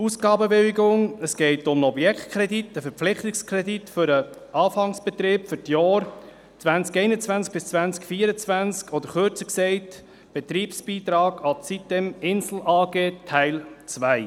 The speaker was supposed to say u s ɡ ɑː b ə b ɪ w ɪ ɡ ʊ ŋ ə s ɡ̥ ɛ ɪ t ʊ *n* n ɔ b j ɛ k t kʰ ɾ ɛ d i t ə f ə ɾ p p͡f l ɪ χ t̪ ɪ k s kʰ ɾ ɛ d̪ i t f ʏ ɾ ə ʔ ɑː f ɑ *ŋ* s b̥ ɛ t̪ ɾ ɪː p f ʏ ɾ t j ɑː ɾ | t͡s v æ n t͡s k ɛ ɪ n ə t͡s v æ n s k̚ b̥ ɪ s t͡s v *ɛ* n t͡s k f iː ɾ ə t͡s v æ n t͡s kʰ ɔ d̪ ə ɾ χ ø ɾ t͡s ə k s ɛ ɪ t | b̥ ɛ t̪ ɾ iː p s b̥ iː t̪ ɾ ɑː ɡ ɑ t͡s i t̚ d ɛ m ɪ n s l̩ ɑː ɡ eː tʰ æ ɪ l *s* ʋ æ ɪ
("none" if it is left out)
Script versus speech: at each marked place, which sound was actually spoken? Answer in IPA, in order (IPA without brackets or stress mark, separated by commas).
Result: m, ŋ, æ, t͡s